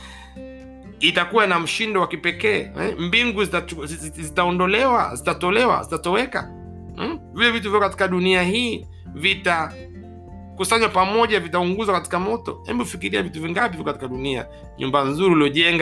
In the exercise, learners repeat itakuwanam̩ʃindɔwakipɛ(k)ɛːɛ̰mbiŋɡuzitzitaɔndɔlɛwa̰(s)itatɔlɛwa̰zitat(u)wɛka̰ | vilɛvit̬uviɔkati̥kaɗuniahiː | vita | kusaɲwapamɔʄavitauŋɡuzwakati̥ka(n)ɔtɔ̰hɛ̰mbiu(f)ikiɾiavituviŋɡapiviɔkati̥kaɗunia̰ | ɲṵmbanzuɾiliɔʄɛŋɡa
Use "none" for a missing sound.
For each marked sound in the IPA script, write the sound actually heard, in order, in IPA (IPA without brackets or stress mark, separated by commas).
k, z, ɔ, m, f